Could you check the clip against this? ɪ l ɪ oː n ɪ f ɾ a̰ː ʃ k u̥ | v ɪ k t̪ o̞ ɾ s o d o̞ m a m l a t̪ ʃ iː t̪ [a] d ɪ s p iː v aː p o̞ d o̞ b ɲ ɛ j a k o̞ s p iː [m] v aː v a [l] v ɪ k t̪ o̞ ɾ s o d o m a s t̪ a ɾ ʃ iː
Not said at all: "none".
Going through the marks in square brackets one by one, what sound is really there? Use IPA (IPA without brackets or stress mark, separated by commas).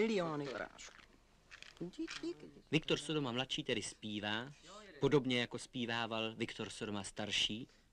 ɛ, none, l